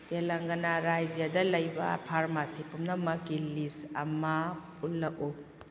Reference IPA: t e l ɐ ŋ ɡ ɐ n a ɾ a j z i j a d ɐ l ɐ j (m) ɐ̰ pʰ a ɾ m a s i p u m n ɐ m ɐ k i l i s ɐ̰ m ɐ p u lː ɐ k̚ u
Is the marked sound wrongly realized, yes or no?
yes